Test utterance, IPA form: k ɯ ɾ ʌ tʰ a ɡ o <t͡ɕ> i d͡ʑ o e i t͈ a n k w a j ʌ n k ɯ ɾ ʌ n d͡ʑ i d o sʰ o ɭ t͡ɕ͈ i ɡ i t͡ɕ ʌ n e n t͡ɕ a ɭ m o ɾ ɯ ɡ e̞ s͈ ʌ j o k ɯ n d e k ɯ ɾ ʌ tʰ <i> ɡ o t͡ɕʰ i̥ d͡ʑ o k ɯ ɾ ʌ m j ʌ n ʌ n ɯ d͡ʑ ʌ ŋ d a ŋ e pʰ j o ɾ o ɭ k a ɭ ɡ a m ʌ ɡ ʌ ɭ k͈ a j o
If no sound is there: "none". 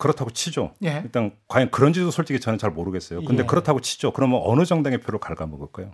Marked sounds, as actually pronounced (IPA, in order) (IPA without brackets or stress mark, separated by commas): t͡ɕʰ, a